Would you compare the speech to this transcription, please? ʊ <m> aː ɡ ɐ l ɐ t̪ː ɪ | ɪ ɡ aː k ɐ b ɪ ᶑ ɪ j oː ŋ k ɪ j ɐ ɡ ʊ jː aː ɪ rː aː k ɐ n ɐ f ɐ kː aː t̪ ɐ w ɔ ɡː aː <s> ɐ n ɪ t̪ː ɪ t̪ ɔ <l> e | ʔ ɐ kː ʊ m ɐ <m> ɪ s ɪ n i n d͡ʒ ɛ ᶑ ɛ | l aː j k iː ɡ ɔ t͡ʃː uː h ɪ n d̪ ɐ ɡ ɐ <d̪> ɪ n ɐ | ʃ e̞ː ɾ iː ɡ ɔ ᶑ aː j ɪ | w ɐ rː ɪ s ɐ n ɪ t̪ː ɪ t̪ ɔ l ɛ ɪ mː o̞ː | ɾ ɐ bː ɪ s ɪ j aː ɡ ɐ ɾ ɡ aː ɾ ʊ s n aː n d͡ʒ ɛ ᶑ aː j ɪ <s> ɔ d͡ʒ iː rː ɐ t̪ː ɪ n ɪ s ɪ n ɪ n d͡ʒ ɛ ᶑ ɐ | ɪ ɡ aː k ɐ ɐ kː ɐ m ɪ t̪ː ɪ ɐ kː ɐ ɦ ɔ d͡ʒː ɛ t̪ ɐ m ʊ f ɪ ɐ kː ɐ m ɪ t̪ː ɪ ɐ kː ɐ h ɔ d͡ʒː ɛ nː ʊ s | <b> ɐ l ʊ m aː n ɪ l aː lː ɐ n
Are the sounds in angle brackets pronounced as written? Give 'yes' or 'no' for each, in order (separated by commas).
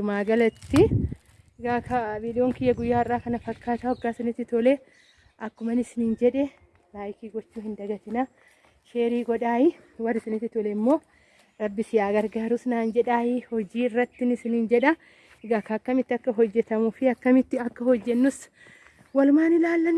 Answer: yes, yes, yes, no, no, no, no